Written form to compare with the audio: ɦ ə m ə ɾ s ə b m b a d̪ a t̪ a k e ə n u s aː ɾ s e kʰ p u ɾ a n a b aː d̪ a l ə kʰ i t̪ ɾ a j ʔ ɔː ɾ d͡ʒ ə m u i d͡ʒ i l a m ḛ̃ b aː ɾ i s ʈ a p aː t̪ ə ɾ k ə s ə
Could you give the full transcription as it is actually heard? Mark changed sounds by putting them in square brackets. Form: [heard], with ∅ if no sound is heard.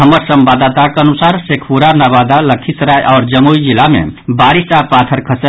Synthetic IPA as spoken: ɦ ə m ə ɾ s ə [∅] m b a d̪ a t̪ a k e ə n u s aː ɾ s e kʰ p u ɾ a n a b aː d̪ a l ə kʰ i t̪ ɾ a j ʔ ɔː ɾ d͡ʒ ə m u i d͡ʒ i l a m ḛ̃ b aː ɾ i s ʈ a p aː [t̪ʰ] ə ɾ [kʰ] ə s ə